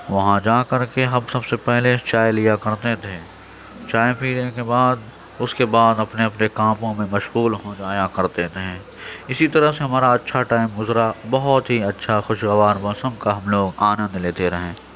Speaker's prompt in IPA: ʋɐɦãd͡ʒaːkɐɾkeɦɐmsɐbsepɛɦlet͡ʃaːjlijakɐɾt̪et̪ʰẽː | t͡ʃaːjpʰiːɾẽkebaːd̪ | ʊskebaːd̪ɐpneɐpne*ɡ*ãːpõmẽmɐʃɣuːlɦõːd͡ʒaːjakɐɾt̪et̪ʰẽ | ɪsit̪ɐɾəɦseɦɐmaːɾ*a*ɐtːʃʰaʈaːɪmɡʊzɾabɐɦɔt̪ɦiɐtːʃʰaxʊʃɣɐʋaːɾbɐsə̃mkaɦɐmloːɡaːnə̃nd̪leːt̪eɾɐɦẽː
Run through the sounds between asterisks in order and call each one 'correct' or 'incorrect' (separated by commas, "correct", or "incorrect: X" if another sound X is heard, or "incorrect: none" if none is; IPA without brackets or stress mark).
incorrect: k, correct